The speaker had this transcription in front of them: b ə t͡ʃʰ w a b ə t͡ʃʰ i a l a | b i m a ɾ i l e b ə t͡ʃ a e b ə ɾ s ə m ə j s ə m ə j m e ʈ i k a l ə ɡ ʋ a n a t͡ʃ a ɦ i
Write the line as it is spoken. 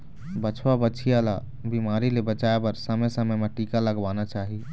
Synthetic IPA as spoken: b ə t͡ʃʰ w a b ə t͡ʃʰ i a l a | b i m a ɾ i l e b ə t͡ʃ a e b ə ɾ s ə m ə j s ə m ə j m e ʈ i k a l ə ɡ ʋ a n a t͡ʃ a ɦ i